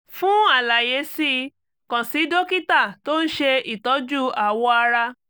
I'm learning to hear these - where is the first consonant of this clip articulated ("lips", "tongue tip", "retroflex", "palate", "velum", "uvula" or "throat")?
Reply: lips